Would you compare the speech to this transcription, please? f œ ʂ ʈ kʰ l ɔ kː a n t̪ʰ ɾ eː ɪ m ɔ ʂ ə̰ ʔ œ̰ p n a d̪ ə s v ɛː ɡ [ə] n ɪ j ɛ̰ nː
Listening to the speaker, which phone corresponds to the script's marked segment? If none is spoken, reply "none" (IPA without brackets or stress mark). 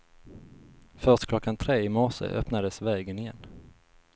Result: ə